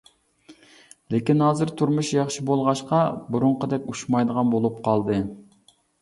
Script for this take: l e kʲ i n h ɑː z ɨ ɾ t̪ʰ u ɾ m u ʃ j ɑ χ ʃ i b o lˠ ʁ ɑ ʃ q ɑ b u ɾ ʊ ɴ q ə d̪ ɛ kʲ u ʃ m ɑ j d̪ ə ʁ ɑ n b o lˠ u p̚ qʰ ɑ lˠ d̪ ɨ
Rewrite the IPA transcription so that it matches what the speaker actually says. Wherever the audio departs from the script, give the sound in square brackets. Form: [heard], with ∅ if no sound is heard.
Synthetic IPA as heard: l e kʲ i n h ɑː z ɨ ɾ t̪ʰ u ɾ m u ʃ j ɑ χ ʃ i b o lˠ ʁ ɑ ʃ q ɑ b u ɾ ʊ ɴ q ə d̪ ɛ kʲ u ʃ m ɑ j d̪ ə ʁ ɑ n b o lˠ u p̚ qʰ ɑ lˠ d̪ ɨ